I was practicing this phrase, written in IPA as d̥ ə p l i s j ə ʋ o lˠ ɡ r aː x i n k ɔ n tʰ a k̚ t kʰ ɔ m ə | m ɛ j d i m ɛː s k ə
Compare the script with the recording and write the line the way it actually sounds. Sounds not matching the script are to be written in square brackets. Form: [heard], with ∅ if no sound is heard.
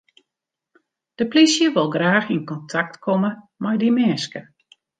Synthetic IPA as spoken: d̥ ə p l i s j ə ʋ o lˠ ɡ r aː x i n k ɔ n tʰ a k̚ t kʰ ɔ m ə | m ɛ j d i m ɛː s k ə